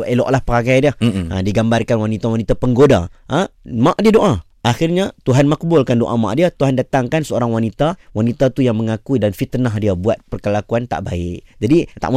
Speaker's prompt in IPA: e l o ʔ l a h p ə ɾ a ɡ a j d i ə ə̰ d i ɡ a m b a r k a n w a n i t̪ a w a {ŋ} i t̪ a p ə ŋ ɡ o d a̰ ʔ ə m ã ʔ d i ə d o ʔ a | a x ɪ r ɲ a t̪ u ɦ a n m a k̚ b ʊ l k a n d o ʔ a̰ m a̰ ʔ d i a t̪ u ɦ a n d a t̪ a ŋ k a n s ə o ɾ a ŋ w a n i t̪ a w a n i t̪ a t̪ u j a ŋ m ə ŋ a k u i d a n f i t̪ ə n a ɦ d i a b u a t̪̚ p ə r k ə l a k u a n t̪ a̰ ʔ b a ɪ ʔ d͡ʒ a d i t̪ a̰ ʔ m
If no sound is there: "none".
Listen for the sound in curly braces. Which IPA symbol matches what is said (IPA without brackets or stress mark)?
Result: n